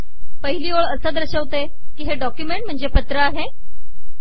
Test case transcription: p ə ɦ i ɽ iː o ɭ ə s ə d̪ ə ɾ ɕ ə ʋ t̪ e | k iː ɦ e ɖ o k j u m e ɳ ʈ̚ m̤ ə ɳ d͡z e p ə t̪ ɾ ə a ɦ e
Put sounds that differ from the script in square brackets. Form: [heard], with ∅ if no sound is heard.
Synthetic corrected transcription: p ə ɦ i [l] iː o ɭ ə s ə d̪ ə ɾ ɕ ə ʋ t̪ e | k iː ɦ e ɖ [ɔ] k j u m e ɳ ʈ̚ m̤ ə ɳ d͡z e p ə t̪ ɾ ə a ɦ e